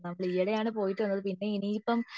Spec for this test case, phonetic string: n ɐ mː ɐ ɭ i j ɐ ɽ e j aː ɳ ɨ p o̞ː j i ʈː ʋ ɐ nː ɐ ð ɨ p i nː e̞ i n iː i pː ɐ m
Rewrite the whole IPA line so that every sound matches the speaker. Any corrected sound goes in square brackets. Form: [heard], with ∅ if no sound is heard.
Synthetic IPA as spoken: n ɐ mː ɐ ɭ i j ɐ ɽ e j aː ɳ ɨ p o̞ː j i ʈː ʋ ɐ nː ɐ ð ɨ p i nː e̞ i n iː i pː ɐ m